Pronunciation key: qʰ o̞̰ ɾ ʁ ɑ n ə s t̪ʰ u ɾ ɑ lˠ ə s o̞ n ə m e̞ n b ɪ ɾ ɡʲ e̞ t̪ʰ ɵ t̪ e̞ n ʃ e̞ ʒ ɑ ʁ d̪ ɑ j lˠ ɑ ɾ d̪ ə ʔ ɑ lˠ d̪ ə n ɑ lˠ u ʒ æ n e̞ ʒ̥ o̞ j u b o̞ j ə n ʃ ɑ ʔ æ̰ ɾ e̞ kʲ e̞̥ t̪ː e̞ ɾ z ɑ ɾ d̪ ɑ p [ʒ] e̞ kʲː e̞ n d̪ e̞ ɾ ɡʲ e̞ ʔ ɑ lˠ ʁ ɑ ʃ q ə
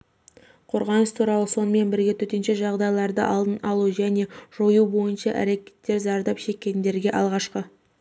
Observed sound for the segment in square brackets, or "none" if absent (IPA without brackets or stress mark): ʃ